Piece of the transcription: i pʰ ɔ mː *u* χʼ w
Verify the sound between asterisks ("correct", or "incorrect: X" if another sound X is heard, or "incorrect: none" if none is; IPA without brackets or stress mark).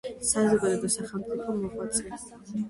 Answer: incorrect: ɔ